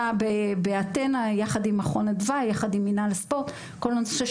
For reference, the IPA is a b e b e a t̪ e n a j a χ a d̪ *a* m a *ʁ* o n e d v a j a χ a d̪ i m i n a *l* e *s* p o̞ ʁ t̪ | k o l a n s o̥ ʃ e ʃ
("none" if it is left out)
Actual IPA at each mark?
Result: i, χ, l, s

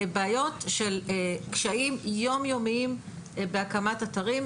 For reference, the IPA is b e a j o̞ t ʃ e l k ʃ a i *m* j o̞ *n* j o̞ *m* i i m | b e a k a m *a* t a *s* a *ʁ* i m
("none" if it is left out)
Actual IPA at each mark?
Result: m, m, m, a, t, ʁ

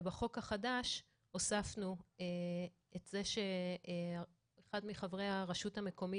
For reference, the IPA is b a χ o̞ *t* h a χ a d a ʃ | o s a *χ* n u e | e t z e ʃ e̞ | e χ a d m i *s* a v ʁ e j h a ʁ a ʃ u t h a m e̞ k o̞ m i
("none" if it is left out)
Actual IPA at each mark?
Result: k, f, χ

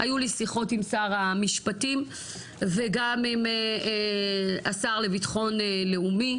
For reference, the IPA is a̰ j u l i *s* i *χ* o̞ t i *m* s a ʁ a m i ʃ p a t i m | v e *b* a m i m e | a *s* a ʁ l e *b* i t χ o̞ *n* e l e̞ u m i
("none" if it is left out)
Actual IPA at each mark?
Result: s, χ, m, ɡ, s, v, n

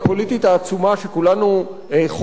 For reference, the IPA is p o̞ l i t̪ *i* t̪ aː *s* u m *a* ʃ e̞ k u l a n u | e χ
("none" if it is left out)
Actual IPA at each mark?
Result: i, t͡s, a

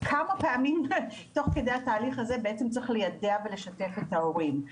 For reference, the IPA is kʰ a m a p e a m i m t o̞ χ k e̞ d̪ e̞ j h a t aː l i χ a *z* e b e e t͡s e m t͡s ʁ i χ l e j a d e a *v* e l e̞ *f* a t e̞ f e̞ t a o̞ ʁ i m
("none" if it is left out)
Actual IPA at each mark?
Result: z, v, ʃ

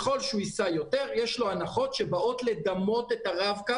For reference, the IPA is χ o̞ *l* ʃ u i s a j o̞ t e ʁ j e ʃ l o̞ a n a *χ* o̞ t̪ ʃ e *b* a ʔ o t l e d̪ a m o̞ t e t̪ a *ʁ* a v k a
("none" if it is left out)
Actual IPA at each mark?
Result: l, χ, b, ʁ

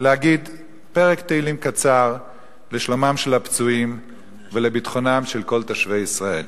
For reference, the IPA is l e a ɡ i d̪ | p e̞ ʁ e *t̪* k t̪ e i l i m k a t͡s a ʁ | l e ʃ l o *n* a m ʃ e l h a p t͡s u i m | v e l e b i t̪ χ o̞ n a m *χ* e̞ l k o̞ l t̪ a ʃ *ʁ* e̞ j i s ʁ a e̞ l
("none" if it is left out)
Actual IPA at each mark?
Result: none, m, ʃ, v

